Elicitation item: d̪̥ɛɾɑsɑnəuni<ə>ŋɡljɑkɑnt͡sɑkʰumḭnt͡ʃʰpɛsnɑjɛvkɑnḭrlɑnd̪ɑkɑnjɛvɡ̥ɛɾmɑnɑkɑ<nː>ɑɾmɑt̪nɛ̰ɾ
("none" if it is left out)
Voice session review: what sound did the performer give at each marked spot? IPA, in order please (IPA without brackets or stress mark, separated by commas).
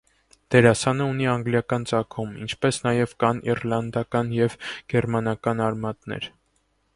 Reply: ɑ, n